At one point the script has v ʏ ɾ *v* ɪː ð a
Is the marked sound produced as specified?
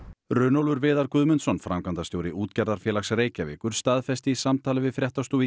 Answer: yes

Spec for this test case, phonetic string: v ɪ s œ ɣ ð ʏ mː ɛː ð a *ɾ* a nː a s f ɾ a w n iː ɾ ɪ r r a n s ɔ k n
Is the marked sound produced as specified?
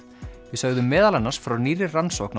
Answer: no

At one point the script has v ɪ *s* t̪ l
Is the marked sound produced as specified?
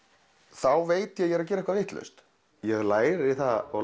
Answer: no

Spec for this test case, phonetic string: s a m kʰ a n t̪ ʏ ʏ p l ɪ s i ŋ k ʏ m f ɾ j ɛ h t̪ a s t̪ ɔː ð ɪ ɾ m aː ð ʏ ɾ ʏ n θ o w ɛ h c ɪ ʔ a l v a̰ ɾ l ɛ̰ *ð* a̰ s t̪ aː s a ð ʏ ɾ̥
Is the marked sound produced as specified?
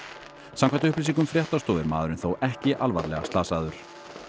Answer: no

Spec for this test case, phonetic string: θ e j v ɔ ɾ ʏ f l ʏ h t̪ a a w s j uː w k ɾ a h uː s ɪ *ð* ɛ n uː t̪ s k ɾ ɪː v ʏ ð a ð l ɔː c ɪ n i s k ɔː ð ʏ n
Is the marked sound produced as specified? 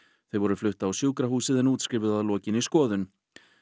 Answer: yes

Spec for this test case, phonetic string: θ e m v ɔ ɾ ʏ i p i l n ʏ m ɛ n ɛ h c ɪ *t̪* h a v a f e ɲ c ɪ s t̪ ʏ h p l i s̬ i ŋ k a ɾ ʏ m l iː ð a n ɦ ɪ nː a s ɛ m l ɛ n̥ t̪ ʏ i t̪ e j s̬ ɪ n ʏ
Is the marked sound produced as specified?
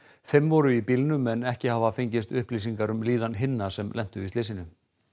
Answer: no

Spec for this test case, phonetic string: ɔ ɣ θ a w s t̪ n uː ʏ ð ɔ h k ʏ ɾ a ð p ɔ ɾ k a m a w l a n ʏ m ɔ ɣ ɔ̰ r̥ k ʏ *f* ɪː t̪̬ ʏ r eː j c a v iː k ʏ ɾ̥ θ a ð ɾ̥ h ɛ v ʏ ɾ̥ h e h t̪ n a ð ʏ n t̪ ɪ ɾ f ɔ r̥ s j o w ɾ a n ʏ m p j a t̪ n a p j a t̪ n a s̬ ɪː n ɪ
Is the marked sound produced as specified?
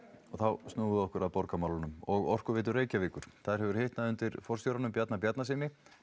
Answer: no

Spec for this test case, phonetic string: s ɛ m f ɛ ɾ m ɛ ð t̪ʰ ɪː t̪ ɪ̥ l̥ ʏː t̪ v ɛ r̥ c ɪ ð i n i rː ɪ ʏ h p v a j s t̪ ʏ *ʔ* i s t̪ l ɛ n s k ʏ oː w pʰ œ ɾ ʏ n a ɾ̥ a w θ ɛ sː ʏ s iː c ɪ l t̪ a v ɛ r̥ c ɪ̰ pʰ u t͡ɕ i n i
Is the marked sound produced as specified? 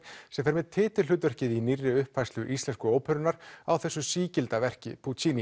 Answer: yes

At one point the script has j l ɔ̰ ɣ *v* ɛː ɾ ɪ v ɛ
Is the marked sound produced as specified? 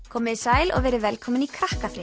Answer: yes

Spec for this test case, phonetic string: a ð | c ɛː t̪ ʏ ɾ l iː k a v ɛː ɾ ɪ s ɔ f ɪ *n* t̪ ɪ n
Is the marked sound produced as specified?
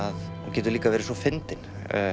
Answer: yes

